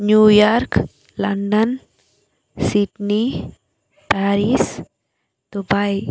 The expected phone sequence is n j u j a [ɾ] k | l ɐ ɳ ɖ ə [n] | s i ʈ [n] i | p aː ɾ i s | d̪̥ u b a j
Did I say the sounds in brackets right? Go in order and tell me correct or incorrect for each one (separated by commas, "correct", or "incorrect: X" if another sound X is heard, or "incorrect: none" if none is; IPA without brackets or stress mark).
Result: correct, correct, correct